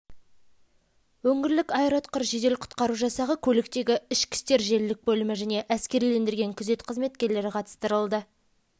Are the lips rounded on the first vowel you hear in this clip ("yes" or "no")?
yes